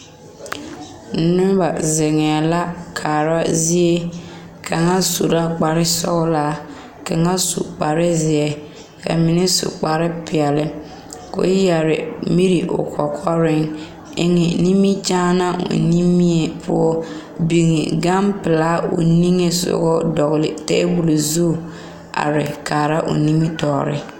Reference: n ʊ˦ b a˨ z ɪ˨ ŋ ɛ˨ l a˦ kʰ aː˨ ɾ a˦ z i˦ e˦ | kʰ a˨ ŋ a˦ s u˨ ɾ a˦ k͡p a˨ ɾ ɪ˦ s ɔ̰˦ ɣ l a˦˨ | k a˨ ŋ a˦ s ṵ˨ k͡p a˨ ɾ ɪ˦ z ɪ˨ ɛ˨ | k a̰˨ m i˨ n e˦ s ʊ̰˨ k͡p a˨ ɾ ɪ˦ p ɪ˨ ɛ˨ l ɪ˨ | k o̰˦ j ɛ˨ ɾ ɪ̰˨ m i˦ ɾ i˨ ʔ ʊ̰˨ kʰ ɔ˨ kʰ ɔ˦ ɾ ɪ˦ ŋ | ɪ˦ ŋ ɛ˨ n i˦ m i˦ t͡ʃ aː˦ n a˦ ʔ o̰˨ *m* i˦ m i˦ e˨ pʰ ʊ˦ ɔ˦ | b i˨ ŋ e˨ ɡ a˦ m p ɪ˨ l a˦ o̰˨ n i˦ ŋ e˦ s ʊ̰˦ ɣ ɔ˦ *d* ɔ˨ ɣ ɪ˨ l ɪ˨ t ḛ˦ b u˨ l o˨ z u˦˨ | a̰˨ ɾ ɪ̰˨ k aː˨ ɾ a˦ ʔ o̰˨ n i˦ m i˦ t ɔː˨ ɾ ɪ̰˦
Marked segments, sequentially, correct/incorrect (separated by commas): incorrect, correct